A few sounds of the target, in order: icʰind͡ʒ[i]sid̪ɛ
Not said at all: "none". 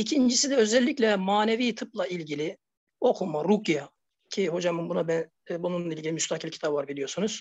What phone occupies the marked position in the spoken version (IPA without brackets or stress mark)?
i